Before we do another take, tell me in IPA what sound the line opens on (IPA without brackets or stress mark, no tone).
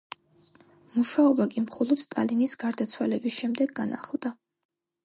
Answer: m